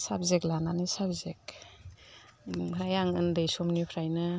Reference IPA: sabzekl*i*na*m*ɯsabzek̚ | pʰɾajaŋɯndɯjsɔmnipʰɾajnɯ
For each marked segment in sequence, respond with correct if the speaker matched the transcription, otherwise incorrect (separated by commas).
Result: incorrect, incorrect